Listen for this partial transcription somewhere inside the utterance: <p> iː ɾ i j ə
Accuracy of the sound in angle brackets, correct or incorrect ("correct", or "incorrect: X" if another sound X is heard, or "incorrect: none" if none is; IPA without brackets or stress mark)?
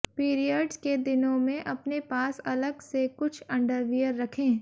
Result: correct